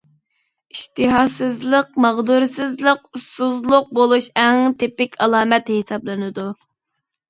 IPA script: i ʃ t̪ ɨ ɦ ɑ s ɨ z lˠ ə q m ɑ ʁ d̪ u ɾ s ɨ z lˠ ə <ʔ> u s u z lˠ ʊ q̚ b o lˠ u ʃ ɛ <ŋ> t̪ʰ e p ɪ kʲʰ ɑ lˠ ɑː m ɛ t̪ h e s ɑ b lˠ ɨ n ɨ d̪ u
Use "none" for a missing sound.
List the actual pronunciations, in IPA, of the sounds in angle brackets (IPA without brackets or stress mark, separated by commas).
q, ŋ